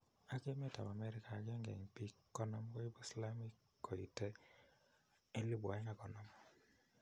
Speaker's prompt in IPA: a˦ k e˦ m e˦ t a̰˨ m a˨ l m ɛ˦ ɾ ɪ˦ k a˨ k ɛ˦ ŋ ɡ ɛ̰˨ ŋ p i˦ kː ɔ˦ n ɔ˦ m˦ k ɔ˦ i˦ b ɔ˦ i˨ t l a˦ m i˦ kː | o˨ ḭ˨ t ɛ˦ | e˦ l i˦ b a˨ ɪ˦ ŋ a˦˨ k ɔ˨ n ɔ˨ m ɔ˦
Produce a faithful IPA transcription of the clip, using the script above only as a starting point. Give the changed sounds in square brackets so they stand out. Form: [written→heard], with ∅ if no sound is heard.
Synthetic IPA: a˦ k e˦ m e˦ t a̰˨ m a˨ [l→∅] m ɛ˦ ɾ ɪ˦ k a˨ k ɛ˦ ŋ ɡ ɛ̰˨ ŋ p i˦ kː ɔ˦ n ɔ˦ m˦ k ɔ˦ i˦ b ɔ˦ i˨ [t→s] l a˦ m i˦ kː | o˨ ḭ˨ t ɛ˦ | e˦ l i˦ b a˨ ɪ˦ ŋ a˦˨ k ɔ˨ n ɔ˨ m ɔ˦